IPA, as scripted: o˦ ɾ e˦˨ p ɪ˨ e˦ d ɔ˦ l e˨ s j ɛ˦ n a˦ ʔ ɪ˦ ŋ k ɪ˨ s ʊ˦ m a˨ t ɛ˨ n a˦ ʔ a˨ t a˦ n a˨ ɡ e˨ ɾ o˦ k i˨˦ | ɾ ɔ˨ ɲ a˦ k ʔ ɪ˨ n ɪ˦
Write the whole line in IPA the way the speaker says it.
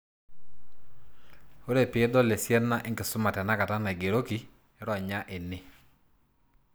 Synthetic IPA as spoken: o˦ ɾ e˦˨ p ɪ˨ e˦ d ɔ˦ l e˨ s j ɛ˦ n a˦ ʔ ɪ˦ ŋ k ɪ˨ s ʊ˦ m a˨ t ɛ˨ n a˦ k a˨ t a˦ n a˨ ɡ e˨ ɾ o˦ k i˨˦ | ɾ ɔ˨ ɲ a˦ ʔ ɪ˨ n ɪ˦